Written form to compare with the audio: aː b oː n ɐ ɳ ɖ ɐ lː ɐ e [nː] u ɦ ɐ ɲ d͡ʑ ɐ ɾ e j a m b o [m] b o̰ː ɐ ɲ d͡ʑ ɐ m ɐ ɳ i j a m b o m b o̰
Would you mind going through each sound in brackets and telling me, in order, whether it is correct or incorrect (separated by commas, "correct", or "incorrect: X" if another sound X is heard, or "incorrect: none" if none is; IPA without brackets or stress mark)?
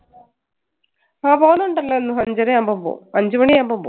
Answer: correct, correct